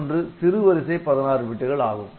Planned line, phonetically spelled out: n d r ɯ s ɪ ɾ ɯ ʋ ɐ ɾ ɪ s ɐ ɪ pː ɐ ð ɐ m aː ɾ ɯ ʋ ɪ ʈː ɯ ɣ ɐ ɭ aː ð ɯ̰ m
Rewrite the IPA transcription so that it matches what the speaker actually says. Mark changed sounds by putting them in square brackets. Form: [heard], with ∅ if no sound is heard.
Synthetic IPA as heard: n d r ɯ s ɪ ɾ ɯ ʋ ɐ ɾ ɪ s ɐ ɪ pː ɐ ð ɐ [n] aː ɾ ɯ ʋ ɪ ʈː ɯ ɣ ɐ ɭ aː [ɣ] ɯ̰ m